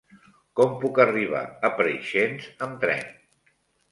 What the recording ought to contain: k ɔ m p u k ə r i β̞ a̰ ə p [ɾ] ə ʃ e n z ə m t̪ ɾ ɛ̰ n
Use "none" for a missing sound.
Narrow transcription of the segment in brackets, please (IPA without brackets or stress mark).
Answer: ɾ